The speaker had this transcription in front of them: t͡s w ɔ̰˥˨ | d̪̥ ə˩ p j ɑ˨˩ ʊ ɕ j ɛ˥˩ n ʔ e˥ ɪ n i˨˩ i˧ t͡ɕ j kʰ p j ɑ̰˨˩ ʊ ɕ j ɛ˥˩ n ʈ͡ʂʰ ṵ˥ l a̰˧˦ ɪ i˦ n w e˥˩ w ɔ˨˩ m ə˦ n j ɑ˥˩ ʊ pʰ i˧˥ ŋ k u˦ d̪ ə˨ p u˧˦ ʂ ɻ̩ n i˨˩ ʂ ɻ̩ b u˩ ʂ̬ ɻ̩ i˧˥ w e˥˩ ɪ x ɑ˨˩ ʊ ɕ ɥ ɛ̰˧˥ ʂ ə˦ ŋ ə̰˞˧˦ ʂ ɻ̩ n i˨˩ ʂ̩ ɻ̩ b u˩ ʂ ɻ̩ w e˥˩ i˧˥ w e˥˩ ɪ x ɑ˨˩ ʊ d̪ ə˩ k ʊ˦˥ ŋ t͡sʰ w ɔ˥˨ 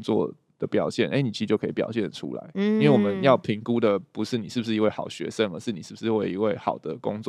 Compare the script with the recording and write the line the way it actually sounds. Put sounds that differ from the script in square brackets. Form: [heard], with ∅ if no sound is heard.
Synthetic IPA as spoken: t͡s w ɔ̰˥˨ | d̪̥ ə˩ p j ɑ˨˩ ʊ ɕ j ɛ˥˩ n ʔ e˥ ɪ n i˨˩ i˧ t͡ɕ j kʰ p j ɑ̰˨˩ ʊ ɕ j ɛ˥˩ n ʈ͡ʂʰ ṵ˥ l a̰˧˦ ɪ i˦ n w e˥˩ w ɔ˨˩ m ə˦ n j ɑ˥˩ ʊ pʰ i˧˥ ŋ k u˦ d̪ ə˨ p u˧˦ ʂ ɻ̩ n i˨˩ ʂ ɻ̩ b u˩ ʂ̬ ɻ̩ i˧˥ w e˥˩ ɪ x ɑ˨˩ ʊ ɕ ɥ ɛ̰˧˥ ʂ ə˦ ŋ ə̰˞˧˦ ʂ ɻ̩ n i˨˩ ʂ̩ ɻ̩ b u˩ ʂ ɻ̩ w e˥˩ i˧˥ w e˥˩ ɪ x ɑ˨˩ ʊ d̪ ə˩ k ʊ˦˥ ŋ [t͡s] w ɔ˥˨